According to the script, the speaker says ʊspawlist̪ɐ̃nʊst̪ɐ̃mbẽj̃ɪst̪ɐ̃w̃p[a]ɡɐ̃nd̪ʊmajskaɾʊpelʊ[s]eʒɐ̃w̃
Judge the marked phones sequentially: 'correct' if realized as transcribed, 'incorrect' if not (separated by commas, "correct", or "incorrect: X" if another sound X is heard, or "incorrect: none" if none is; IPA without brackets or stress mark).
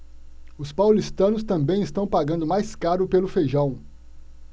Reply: correct, incorrect: f